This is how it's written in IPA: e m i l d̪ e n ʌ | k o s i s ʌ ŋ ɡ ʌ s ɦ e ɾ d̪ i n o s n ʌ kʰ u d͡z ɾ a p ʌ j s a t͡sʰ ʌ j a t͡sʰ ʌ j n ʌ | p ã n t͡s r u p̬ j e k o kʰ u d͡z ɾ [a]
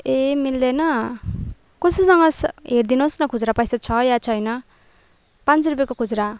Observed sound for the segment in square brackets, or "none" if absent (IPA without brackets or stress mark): a